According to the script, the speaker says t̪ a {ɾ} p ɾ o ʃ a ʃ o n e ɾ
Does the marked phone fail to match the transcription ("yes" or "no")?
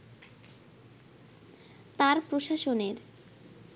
no